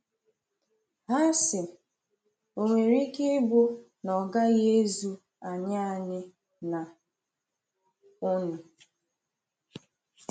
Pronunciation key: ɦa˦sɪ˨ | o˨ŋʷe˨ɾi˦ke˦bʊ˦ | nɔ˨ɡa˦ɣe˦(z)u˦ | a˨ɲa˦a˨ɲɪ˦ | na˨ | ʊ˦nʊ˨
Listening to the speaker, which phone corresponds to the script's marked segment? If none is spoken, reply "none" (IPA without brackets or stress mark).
z